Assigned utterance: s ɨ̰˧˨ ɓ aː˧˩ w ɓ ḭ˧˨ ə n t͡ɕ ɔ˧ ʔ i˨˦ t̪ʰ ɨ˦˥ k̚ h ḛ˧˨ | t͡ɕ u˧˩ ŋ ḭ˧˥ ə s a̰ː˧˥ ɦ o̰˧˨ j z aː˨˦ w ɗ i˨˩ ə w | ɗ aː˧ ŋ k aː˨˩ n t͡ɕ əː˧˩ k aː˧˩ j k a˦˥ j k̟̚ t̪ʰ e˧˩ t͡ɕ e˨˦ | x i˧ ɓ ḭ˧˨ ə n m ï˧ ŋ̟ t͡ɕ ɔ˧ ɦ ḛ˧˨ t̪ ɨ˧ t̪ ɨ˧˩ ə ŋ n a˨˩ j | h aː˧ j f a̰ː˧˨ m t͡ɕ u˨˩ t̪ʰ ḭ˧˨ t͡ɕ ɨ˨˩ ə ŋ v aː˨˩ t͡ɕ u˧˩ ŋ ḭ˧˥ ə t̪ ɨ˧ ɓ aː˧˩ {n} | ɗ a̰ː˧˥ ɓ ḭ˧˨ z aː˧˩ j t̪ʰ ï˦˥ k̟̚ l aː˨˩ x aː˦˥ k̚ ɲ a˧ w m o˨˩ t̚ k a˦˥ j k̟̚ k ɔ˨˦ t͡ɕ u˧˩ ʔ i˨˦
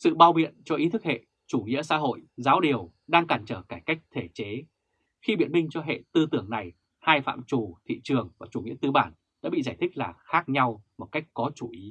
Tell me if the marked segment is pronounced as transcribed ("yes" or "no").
yes